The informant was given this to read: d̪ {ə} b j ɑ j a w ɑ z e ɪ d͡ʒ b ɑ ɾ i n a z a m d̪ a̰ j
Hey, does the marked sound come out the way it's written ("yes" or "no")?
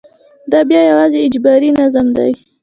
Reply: no